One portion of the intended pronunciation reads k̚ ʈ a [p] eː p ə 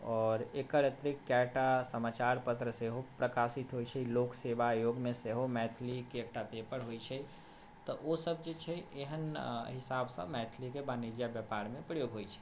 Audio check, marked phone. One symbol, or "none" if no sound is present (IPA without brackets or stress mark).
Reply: p